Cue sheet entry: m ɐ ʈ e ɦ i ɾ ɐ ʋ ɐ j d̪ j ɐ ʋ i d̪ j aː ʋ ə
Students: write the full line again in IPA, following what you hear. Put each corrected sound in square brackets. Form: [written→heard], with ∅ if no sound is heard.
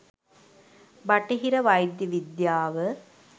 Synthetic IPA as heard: [m→b] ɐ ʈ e ɦ i ɾ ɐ ʋ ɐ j d̪ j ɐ ʋ i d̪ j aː ʋ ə